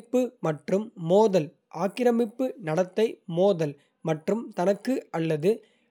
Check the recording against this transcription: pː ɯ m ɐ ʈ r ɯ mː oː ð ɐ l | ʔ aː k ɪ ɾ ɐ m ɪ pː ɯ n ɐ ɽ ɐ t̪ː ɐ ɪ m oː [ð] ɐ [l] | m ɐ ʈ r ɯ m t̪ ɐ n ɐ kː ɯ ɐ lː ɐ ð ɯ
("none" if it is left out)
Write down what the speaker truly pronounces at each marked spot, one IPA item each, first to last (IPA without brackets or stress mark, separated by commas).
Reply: ð, l